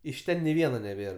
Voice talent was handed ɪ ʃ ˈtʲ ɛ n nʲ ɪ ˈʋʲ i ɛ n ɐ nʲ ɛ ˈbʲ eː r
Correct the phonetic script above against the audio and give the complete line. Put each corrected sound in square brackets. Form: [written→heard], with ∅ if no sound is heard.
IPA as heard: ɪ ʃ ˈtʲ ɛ n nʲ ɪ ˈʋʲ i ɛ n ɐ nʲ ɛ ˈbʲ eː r